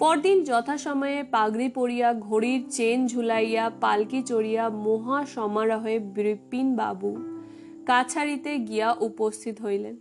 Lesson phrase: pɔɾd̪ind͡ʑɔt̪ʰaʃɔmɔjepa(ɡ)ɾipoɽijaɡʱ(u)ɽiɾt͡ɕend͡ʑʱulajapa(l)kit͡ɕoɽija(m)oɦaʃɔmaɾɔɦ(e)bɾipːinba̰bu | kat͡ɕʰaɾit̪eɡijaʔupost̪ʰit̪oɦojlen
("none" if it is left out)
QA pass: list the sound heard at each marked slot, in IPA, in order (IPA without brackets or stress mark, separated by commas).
ɡ, o, l, m, e